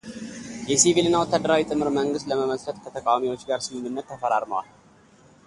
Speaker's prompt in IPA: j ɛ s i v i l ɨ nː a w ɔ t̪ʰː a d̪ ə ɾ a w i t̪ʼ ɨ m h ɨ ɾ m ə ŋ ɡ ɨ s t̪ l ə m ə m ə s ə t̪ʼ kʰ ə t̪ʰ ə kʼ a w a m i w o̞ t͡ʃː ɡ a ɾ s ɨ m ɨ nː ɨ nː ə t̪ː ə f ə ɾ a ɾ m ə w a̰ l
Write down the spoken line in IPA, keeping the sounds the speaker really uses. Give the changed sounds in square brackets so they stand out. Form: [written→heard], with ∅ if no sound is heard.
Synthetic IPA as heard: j ɛ s i v i l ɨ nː a w ɔ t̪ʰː a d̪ ə ɾ a w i t̪ʼ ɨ m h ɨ ɾ m ə ŋ ɡ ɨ s t̪ l ə m ə m ə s ə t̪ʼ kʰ ə t̪ʰ ə kʼ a w a m i w o̞ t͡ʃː ɡ a ɾ s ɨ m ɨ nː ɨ nː ə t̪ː ə f ə ɾ a ɾ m ə w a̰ l